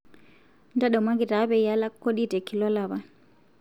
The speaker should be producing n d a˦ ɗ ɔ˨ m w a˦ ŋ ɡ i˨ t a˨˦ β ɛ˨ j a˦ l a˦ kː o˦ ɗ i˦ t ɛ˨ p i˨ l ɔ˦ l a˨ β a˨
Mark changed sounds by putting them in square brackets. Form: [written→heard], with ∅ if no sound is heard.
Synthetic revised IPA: n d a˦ ɗ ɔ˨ m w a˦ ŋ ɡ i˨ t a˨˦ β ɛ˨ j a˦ l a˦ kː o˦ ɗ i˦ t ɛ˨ [p→k] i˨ l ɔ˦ l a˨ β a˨

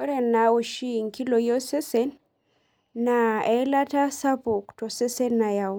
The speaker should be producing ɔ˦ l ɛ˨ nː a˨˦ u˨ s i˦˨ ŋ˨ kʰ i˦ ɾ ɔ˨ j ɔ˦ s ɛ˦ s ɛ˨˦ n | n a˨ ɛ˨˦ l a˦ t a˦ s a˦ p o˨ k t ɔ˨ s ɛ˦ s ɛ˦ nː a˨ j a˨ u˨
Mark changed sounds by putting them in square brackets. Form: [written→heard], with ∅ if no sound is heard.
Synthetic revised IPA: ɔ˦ [l→ɾ] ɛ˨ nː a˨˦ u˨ [s→ʃ] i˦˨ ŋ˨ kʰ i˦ [ɾ→l] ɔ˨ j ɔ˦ s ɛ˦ s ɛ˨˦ n | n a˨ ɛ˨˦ l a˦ t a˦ s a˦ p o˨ k t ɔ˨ s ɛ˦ s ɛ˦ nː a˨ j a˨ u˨

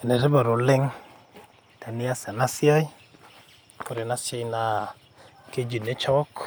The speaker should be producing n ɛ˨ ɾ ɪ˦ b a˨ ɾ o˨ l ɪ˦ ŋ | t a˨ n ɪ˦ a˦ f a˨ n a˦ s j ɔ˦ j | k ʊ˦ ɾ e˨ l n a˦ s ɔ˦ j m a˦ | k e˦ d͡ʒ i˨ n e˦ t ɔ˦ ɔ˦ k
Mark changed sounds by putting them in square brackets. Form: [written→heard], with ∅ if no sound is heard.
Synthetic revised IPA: n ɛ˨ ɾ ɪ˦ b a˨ ɾ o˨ l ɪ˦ ŋ | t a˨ n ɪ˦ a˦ [f→s] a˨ n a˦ s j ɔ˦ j | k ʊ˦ ɾ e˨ [l→∅] n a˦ s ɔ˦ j [m→n] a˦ | k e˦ d͡ʒ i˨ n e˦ [t→t͡ʃ] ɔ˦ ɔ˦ k

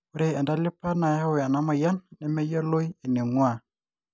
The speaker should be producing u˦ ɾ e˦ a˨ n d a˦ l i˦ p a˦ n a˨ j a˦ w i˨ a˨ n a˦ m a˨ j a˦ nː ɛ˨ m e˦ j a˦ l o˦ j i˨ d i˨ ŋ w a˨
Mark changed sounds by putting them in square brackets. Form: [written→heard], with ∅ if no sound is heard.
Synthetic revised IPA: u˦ ɾ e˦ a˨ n d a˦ l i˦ p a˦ n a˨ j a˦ w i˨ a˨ n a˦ m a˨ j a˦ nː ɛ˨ m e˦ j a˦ l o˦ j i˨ [d→n] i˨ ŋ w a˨

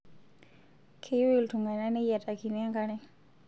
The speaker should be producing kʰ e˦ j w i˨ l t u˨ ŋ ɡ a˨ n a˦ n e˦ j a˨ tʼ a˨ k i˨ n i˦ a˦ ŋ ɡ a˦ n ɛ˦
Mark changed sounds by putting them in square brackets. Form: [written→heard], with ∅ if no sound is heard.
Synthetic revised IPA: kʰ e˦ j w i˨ l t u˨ ŋ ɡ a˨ n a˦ n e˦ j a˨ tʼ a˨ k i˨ n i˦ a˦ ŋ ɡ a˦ n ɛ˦

